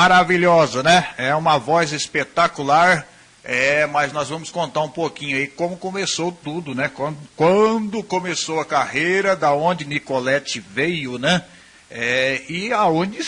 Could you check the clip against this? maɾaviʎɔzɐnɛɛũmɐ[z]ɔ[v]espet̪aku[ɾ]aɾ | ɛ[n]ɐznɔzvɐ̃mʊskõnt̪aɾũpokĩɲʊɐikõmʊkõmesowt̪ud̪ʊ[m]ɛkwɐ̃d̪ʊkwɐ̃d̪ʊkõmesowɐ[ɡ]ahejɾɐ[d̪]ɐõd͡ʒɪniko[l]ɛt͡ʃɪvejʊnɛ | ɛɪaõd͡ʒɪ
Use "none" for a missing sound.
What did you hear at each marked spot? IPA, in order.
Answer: v, z, l, m, n, k, d̪, l

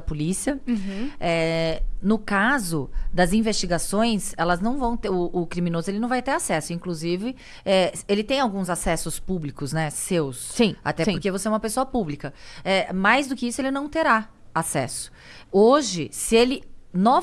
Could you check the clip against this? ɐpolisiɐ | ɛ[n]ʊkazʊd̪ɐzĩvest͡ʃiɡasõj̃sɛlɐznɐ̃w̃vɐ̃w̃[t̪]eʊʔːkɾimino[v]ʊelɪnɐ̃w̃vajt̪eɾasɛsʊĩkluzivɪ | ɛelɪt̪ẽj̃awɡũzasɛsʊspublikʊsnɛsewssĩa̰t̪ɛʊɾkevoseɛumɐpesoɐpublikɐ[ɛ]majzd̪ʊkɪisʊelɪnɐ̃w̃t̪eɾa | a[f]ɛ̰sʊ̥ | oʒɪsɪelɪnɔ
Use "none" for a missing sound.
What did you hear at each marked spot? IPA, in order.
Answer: n, t̪, z, ɛ, s

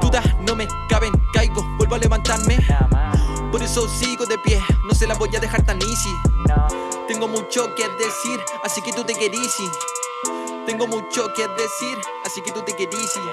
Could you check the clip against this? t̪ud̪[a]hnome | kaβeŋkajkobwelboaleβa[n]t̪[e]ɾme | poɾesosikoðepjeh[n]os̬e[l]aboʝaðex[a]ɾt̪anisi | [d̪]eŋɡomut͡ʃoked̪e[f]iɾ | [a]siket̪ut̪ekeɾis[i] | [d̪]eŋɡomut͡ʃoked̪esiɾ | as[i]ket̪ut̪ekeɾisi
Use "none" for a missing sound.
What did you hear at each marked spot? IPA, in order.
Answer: a, n, a, n, l, a, t̪, s, a, i, t̪, i

